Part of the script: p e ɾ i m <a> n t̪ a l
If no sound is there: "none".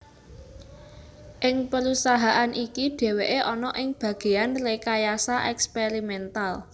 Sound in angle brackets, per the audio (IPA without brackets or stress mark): ɛ